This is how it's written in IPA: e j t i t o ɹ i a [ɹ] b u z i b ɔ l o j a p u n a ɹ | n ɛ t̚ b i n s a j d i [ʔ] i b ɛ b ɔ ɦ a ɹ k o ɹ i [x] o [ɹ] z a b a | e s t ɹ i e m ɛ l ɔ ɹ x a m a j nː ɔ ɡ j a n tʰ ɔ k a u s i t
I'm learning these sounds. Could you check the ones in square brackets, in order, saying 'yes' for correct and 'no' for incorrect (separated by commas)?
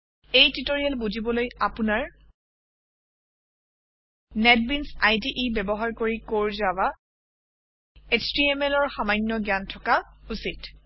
no, yes, no, yes